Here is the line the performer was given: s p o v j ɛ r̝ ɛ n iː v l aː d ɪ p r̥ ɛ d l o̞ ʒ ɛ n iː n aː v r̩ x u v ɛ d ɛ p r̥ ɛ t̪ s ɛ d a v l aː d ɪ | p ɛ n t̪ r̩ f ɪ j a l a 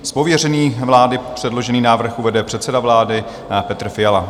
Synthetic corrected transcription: s p o v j ɛ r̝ ɛ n iː v l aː d ɪ p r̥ ɛ d l o̞ ʒ ɛ n iː n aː v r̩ x u v ɛ d ɛ p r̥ ɛ t̪ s ɛ d a v l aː d ɪ | p ɛ t̪ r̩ f ɪ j a l a

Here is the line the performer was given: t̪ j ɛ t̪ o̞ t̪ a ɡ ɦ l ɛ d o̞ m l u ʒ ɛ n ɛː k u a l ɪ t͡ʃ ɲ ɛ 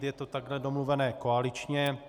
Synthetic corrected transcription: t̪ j ɛ t̪ o̞ t̪ a ɡ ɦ l ɛ d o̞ m l u v ɛ n ɛː k o a l ɪ t͡ʃ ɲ ɛ

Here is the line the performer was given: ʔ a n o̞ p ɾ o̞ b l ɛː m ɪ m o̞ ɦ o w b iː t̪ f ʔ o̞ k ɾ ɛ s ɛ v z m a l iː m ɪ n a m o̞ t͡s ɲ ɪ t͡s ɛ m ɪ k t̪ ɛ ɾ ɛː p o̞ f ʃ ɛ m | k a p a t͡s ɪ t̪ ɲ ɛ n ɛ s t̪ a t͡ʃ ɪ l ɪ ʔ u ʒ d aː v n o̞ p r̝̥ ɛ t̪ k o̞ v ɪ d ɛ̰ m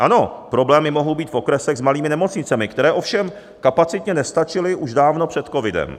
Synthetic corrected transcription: ʔ a n o̞ p ɾ o̞ b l ɛː m ɪ m o̞ ɦ o w b iː t̪ f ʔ o̞ k ɾ ɛ s ɛ ɣ z m a l iː m ɪ n ɛ m o̞ t͡s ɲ ɪ t͡s ɛ m ɪ k t̪ ɛ ɾ ɛː ʔ o̞ f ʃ ɛ m | k a p a t͡s ɪ t̪ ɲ ɛ n ɛ s t̪ a t͡ʃ ɪ l ɪ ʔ u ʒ d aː v n o̞ p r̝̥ ɛ t̪ k o̞ v ɪ d ɛ̰ m

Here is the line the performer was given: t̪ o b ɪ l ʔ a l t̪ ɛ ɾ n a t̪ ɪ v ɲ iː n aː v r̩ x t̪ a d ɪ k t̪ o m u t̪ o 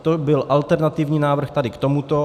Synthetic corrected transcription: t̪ o b ɪ l ʔ a l t̪ ɛ ɾ n a t̪ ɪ v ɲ iː n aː v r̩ x t̪ a d ɪ k t̪ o m u t̪ o

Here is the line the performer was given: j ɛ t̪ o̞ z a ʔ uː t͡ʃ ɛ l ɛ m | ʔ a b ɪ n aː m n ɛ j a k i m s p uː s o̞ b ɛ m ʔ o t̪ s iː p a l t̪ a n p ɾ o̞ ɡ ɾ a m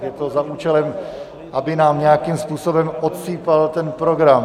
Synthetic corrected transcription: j ɛ t̪ o̞ z a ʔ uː t͡ʃ ɛ l ɛ m | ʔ a b ɪ n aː m ɲ ɛ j a k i m s p uː s o̞ b ɛ m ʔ o t̪ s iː p a l t̪ ɛ n p ɾ o̞ ɡ ɾ a m

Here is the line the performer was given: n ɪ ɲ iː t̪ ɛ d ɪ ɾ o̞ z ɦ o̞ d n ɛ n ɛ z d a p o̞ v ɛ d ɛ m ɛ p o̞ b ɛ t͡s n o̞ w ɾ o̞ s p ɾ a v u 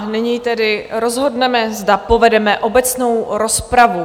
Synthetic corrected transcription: n ɪ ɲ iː t̪ ɛ d ɪ ɾ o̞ z ɦ o̞ d n ɛ m ɛ z d a p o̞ v ɛ d ɛ m ɛ ʔ o̞ b ɛ t͡s n o̞ w ɾ o̞ s p ɾ a v u

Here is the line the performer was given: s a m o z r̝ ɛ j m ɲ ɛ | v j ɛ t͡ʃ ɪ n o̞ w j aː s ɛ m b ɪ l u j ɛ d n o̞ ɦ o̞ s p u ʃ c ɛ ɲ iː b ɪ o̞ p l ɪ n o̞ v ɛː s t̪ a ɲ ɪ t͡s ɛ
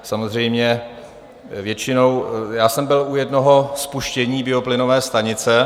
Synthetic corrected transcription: s a m o z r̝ ɛ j m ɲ ɛ | v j ɛ t͡ʃ ɪ n o̞ w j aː s ɛ m b ɪ l u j ɛ d n o̞ ɦ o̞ s p u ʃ c ɛ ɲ iː b ɪ o̞ p l ɪ n o̞ v ɛː s t̪ a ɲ ɪ t͡s ɛ

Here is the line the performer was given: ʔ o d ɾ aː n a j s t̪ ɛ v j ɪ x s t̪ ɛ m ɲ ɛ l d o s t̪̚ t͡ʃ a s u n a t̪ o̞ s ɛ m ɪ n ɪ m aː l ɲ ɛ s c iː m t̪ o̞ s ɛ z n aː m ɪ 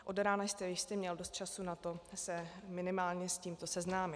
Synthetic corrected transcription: ʔ o d ɾ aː n a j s t̪ ɛ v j ɪ ʃ s t̪ ɛ m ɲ ɛ l d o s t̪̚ t͡ʃ a s u n a t̪ o̞ s ɛ m ɪ n ɪ m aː l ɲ ɛ s c iː m t̪ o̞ s ɛ z n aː m ɪ

